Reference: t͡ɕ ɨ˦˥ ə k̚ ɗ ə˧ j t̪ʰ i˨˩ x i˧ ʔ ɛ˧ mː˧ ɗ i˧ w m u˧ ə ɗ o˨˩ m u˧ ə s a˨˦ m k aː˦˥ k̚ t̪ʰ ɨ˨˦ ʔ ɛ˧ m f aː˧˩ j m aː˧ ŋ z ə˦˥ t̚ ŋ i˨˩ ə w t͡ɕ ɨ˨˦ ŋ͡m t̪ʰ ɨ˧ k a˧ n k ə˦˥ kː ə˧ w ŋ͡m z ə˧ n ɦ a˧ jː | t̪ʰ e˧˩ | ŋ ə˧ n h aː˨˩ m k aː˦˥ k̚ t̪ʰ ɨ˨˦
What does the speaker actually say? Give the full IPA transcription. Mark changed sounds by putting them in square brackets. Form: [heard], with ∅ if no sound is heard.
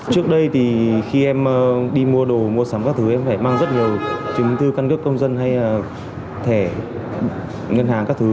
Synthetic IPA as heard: t͡ɕ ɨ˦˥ ə k̚ ɗ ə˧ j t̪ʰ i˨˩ x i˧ ʔ ɛ˧ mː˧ ɗ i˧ [∅] m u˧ ə ɗ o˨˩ m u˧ ə s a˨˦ m k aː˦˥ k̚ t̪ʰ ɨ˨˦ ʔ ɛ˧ m f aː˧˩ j m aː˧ ŋ z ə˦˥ t̚ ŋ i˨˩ ə w t͡ɕ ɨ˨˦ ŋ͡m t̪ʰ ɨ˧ k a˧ n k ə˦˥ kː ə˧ w ŋ͡m z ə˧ n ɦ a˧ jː | t̪ʰ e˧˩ | ŋ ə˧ n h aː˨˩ [ŋ] k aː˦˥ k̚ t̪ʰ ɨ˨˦